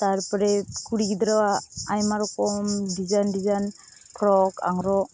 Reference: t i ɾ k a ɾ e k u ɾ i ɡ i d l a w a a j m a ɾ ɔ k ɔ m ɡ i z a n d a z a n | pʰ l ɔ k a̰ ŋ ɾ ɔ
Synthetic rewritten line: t a ɾ p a ɾ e k u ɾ i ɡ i d ɾ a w a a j m a ɾ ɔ k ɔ m d i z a n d i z a n | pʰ ɾ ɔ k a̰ ŋ ɾ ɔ